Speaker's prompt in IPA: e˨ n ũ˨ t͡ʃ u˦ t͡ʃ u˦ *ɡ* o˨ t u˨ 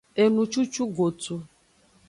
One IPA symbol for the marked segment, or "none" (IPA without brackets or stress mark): ɡ